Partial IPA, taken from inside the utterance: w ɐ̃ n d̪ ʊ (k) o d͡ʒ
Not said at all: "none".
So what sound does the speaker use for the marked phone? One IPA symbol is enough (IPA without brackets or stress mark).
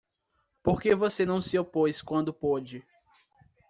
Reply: p